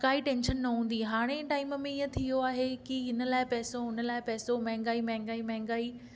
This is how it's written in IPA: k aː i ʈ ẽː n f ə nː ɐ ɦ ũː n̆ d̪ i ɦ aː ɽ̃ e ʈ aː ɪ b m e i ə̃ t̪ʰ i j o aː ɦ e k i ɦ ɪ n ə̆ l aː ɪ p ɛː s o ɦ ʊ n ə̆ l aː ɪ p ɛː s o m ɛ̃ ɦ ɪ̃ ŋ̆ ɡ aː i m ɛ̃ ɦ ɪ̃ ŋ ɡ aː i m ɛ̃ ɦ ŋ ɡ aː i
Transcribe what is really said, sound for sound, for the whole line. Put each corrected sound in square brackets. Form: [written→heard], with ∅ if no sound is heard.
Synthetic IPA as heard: k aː i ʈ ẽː n [f→ʃ] ə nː ɐ ɦ ũː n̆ d̪ i ɦ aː ɽ̃ e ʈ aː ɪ [b→m] m [e→ẽ] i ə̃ t̪ʰ i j o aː ɦ e k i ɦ ɪ n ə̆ l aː ɪ p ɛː s o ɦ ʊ n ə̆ l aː ɪ p ɛː s o m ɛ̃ ɦ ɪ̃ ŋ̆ ɡ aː i m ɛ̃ ɦ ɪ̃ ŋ ɡ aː i m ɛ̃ ɦ ŋ ɡ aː i